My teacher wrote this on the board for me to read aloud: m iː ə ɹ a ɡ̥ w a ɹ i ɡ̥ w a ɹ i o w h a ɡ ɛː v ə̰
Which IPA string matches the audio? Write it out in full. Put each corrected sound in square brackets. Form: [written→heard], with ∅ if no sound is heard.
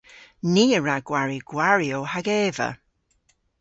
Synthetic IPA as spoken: [m→n] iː ə ɹ a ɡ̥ w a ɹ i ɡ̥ w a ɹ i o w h a ɡ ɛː v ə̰